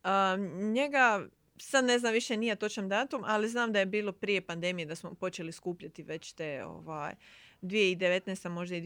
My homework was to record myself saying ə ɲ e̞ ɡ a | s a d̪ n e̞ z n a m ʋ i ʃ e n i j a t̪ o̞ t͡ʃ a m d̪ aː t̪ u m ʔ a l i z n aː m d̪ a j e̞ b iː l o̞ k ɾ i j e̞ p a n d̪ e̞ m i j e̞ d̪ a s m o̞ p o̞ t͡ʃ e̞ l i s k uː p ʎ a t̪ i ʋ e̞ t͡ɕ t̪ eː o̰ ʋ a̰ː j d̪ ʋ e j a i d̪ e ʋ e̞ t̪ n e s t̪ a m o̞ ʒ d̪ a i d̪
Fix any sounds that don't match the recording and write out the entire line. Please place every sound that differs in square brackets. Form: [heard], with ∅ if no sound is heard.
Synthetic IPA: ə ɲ e̞ ɡ a | s a d̪ n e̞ z n a m ʋ i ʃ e n i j a t̪ o̞ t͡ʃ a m d̪ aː t̪ u m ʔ a l i z n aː m d̪ a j e̞ b iː l o̞ [p] ɾ i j e̞ p a n d̪ e̞ m i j e̞ d̪ a s m o̞ p o̞ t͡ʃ e̞ l i s k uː p ʎ a t̪ i ʋ e̞ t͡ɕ t̪ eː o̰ ʋ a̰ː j d̪ ʋ [i] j [e] i d̪ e ʋ e̞ t̪ n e s t̪ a m o̞ ʒ d̪ a i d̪